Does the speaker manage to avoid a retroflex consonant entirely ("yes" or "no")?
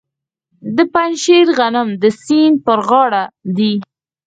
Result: no